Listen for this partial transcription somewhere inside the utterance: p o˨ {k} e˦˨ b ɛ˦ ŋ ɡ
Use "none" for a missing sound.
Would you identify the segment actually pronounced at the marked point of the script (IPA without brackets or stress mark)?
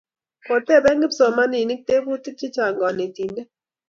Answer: t